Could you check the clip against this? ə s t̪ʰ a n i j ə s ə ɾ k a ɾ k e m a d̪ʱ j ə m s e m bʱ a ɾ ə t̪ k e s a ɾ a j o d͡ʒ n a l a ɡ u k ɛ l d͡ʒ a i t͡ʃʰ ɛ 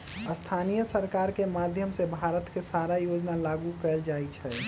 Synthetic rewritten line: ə s t̪ʰ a n i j ə s ə ɾ k a ɾ k e m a d̪ʱ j ə m s e bʱ a ɾ ə t̪ k e s a ɾ a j o d͡ʒ n a l a ɡ u k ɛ l d͡ʒ a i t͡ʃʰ ɛ